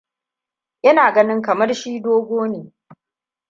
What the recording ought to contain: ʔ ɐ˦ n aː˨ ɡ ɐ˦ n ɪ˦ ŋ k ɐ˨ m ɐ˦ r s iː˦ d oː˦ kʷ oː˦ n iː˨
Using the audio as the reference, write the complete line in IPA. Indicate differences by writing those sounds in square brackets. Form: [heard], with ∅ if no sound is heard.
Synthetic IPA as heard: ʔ ɐ˦ n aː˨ ɡ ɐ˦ n ɪ˦ ŋ k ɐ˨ m ɐ˦ r [ʃ] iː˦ d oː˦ [ɡʷ] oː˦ n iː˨